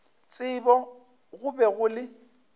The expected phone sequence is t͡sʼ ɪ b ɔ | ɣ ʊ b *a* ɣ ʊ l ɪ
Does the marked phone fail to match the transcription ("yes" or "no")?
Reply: yes